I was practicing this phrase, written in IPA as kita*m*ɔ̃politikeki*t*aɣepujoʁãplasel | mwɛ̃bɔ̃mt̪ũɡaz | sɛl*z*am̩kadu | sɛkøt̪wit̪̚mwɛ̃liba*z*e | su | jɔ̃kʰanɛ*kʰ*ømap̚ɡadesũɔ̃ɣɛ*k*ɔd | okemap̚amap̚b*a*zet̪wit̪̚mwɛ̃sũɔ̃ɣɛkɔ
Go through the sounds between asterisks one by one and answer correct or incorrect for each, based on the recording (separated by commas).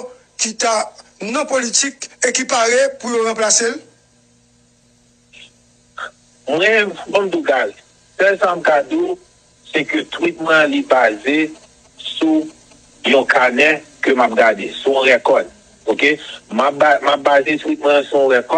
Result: incorrect, incorrect, incorrect, correct, incorrect, correct, correct